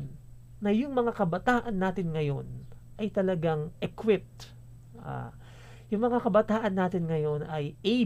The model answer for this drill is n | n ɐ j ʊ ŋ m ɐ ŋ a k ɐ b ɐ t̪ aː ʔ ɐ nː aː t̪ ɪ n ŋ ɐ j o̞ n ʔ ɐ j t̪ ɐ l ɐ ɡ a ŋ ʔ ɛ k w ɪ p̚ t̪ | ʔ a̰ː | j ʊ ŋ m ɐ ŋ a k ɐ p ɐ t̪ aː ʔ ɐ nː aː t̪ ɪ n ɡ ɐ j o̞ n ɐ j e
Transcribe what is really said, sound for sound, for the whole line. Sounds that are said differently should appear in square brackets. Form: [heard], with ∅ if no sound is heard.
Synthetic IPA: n | n ɐ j ʊ ŋ m ɐ ŋ a k ɐ b ɐ t̪ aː ʔ ɐ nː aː t̪ ɪ n ŋ ɐ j o̞ n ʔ ɐ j t̪ ɐ l ɐ ɡ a ŋ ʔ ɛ k w ɪ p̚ t̪ | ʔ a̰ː | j ʊ ŋ m ɐ ŋ a k ɐ [b] ɐ t̪ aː ʔ ɐ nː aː t̪ ɪ n [ŋ] ɐ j o̞ n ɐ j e